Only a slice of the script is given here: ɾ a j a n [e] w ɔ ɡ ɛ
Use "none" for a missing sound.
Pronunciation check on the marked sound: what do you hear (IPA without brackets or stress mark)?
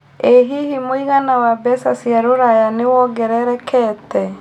e